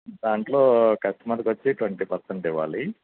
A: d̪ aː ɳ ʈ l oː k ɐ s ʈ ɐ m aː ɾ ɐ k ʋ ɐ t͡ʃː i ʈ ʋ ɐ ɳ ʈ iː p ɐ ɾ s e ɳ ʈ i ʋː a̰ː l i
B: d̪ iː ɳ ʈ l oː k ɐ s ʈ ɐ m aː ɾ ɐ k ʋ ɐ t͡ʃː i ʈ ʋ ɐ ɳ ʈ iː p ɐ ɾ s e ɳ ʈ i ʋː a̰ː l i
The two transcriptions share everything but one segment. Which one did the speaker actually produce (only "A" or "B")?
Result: A